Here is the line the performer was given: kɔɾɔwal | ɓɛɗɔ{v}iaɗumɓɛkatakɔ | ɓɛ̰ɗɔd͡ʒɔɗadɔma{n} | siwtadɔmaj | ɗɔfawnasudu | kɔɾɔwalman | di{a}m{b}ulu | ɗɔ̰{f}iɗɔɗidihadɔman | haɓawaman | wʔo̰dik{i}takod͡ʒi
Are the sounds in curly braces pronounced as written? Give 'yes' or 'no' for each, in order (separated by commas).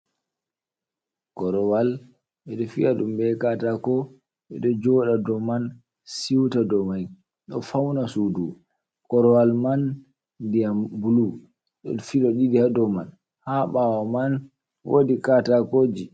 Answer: no, yes, yes, yes, yes, no